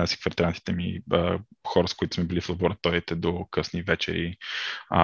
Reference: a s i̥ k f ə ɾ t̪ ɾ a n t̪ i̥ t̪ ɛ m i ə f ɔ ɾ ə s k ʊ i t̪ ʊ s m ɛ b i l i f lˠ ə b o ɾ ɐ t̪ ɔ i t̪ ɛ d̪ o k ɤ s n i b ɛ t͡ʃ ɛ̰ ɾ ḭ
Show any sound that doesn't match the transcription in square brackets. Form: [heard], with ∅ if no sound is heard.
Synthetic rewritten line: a s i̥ k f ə ɾ t̪ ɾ a n t̪ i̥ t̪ ɛ m i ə [x] ɔ ɾ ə s k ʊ i t̪ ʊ s m ɛ b i l i f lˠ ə b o ɾ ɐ t̪ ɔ i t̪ ɛ d̪ o k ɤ s n i [v] ɛ t͡ʃ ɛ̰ ɾ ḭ